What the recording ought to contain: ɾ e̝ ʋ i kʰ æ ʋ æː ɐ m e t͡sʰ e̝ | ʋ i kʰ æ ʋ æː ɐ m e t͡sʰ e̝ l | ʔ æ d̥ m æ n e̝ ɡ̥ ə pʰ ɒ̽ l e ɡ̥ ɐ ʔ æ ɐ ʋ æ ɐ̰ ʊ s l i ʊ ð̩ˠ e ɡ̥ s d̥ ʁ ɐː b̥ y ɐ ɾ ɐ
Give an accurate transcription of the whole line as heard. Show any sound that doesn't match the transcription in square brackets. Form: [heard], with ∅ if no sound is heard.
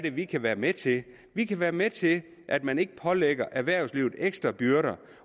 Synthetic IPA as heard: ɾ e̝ ʋ i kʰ æ ʋ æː ɐ m e t͡sʰ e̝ | ʋ i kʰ æ ʋ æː ɐ m e t͡sʰ e̝ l | ʔ æ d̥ m æ n e̝ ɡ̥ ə pʰ ɒ̽ l e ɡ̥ ɐ ʔ æ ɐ ʋ æ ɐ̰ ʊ s l i ʊ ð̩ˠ e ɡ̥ s d̥ ʁ [ɐ] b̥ y ɐ ɾ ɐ